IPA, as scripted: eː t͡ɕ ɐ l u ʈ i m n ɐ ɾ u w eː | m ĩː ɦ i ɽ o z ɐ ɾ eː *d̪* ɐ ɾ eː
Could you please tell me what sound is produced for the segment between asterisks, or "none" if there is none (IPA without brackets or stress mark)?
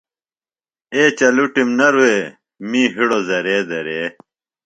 d̪